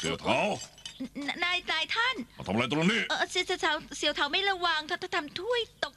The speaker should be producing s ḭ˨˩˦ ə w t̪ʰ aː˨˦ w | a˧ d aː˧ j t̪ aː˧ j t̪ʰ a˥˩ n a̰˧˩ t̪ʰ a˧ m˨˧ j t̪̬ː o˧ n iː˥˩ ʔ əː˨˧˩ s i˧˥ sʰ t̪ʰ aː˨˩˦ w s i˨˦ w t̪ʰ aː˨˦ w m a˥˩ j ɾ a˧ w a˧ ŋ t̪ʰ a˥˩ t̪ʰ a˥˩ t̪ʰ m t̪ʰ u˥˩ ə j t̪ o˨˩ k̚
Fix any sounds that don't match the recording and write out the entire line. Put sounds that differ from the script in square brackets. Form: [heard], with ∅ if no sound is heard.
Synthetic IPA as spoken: s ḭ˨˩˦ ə w t̪ʰ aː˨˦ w | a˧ [n] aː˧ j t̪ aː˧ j t̪ʰ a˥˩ n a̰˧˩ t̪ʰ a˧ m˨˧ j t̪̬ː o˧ n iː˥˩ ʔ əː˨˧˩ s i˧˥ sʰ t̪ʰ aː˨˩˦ w s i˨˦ w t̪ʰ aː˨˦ w m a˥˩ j ɾ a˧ w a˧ ŋ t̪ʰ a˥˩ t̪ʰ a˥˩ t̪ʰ m t̪ʰ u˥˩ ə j t̪ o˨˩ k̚